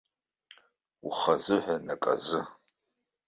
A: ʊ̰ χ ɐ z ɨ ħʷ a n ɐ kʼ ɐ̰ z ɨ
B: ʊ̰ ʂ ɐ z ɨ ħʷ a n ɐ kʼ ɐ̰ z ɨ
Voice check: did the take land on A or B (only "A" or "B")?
A